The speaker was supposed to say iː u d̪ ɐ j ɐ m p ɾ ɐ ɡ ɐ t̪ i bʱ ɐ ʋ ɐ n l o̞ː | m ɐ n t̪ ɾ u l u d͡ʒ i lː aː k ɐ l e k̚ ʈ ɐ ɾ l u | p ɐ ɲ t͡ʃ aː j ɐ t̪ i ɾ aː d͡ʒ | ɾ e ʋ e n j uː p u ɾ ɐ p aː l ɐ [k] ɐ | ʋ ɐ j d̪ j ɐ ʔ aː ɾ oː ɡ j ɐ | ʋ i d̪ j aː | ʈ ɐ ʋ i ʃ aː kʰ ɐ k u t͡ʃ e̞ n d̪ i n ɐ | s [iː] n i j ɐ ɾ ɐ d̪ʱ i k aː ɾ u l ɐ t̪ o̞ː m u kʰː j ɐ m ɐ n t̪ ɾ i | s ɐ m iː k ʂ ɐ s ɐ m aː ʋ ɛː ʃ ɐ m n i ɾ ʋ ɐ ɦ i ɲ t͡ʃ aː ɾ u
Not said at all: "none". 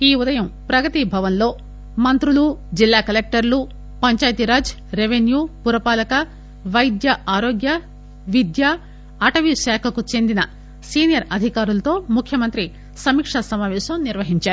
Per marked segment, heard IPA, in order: k, iː

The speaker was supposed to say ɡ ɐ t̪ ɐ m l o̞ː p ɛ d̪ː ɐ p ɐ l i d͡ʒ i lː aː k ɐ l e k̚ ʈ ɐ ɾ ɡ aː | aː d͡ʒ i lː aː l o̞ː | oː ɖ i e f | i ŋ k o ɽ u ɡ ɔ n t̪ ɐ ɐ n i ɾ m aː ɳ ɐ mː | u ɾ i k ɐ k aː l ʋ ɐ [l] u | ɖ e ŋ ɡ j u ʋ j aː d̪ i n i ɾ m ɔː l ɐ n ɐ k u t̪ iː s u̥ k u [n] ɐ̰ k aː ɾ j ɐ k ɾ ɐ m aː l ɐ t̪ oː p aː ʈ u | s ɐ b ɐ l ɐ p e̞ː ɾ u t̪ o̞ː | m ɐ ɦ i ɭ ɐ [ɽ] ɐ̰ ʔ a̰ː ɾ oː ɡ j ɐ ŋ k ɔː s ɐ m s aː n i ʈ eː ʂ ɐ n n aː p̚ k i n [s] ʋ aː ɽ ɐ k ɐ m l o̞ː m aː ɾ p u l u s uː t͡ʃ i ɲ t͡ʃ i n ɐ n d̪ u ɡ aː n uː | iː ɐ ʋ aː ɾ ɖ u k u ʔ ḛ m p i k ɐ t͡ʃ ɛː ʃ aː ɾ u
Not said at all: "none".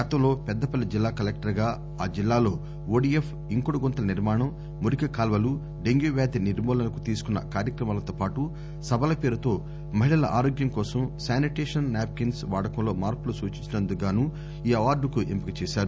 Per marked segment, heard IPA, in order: l, nː, l, s

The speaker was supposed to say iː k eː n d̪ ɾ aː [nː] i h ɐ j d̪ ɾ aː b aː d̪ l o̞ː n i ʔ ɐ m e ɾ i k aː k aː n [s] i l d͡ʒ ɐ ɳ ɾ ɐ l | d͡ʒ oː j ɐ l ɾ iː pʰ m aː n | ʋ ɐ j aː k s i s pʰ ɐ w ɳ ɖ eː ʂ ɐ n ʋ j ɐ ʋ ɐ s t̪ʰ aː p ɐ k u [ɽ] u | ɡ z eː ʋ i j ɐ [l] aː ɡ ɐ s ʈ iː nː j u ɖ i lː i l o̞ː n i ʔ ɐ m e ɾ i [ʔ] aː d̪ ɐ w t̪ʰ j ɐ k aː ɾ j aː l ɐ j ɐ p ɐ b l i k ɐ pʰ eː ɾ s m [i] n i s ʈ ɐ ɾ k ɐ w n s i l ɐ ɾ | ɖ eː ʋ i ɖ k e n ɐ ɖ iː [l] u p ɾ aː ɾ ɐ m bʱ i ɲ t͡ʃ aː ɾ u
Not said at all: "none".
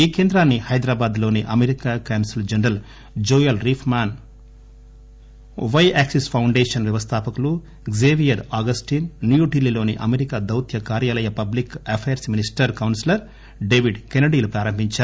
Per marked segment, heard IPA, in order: nː, s, l, ɾ, k, i, l

